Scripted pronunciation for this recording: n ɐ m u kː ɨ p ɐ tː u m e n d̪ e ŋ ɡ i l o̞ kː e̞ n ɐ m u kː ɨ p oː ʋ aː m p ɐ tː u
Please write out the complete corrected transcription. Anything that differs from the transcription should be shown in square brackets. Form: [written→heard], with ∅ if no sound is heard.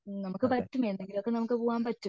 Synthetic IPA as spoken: n ɐ m u kː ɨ p ɐ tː u m e n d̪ e ŋ ɡ i l o̞ kː e̞ n ɐ m u kː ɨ p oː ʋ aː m p ɐ tː u